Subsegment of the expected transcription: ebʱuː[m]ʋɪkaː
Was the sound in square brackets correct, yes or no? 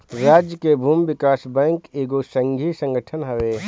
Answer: yes